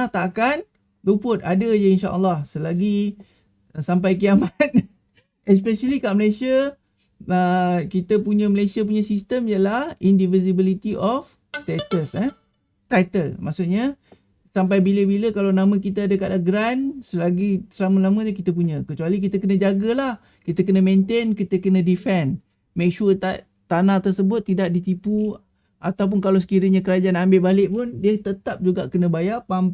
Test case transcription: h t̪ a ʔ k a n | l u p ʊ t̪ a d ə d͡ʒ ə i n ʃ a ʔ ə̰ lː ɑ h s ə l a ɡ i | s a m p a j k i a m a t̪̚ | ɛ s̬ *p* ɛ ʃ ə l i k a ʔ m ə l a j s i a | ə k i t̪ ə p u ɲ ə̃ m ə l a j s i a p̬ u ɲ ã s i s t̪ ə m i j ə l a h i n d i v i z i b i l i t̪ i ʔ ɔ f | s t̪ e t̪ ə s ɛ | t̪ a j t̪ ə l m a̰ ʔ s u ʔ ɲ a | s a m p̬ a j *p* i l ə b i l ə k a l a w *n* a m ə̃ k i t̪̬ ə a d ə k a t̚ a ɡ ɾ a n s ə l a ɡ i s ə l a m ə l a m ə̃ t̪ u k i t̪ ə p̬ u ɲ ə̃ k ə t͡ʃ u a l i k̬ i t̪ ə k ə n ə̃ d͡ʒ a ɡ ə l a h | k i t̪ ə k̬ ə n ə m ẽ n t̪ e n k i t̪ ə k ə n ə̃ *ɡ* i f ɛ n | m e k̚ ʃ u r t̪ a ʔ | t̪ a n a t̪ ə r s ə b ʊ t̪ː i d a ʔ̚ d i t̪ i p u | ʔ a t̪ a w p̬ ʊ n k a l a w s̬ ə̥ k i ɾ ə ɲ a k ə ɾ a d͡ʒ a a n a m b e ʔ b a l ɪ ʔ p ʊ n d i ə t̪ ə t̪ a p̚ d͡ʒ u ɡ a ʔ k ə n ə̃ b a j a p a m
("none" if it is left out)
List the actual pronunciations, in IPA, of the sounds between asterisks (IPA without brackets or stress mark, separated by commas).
p, b, n, d